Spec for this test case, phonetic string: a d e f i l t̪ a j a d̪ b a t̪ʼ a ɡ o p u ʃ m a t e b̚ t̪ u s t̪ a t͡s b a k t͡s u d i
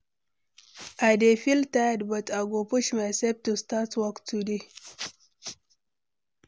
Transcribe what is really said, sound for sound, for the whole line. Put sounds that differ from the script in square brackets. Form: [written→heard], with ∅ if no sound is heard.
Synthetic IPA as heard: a d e f i l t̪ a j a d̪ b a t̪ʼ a ɡ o p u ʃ m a [t→s] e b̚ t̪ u s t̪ a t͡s [b→w] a k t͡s u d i